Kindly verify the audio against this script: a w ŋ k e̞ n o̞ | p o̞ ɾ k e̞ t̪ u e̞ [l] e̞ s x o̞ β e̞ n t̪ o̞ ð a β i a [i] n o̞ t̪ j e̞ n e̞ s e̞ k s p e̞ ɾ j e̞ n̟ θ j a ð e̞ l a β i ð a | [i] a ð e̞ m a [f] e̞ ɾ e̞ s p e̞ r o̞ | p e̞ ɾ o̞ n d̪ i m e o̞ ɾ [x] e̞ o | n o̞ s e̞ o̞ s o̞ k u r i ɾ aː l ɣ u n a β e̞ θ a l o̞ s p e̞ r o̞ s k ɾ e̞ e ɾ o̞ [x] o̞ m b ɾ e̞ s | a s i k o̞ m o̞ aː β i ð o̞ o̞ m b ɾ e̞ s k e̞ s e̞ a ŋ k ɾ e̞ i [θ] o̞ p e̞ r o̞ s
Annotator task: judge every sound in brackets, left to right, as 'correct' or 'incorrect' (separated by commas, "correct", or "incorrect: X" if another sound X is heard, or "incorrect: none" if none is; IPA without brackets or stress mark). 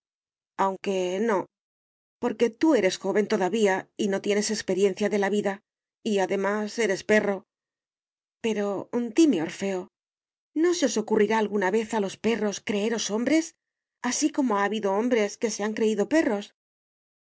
incorrect: ɾ, correct, correct, incorrect: s, incorrect: f, incorrect: s, incorrect: ð